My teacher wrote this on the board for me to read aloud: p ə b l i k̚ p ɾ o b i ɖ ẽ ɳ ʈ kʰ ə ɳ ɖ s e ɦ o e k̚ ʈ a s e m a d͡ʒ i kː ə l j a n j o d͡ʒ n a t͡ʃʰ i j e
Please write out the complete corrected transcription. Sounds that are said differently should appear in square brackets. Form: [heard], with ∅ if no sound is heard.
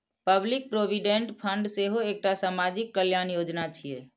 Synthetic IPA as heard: p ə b l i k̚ p ɾ o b i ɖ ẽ ɳ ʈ [pʰ] ə ɳ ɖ s e ɦ o e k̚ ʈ a s [a] m a d͡ʒ i kː ə l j a n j o d͡ʒ n a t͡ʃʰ i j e